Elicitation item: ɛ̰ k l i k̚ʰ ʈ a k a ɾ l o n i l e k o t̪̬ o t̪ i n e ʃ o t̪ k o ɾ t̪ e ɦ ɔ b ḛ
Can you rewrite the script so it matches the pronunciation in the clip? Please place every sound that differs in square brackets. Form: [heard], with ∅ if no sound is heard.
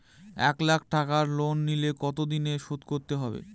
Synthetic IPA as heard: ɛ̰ k l [a] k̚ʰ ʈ a k a ɾ l o [nː] i l e k [ɔ] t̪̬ o [d̪] i n e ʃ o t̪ k o ɾ t̪ e ɦ ɔ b ḛ